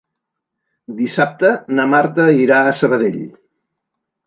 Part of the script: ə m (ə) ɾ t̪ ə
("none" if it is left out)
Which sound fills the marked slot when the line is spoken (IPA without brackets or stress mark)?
a